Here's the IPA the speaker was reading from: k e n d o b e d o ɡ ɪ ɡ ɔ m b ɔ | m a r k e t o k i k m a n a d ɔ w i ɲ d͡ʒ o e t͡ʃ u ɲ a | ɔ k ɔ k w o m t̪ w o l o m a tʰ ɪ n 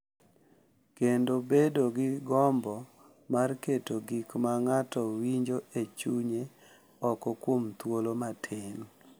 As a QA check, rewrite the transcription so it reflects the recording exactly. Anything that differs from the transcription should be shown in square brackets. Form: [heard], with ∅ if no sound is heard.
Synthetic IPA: k e n d o b e d o ɡ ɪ ɡ ɔ m b ɔ | m a r k e t o [ɡ] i k m a [ŋ] a [t] ɔ w i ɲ d͡ʒ o e t͡ʃ u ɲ [e] | ɔ k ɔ k w o m t̪ w o l o m a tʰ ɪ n